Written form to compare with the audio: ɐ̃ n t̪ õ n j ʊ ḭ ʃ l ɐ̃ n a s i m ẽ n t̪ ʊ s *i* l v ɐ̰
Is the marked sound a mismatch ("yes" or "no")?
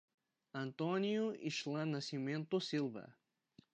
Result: no